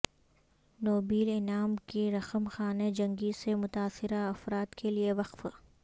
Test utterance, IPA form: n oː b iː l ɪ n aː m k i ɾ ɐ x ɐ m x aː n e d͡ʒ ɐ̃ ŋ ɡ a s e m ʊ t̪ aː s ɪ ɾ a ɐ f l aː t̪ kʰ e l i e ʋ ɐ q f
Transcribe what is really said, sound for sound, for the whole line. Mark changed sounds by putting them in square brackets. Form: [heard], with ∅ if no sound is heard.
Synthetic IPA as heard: n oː b iː l ɪ n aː m k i ɾ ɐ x [ə] m x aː n e d͡ʒ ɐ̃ ŋ ɡ [i] s e m ʊ t̪ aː s ɪ ɾ a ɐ f [ɾ] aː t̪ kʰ e l i e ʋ ɐ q f